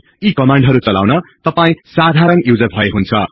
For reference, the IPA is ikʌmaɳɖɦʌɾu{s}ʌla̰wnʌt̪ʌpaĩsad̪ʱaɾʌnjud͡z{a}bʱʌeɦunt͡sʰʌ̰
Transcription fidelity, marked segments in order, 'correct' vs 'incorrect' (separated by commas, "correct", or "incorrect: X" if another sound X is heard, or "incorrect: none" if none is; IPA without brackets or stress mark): incorrect: t͡s, incorrect: ʌ